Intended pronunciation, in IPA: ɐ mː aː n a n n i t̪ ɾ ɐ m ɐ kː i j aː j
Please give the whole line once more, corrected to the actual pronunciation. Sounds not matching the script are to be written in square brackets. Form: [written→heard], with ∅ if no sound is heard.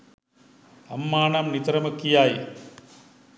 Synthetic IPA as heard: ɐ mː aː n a [n→m] n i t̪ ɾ ɐ m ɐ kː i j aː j